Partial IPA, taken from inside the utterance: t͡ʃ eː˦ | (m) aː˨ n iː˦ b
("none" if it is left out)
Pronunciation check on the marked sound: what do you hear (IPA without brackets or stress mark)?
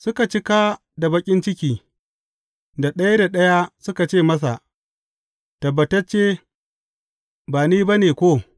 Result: b